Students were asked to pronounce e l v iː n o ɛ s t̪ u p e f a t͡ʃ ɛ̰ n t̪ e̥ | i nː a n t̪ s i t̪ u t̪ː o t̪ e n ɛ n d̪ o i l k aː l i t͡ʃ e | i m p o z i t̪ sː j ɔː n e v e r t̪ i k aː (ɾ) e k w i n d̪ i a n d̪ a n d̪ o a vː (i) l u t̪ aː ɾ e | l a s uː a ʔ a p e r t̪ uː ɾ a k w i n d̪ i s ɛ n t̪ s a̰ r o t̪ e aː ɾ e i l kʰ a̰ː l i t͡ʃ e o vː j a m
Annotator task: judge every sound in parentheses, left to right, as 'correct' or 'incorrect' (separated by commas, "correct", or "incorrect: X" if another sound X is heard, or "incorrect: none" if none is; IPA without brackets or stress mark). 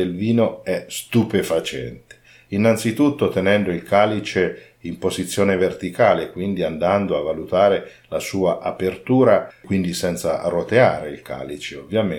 incorrect: l, incorrect: a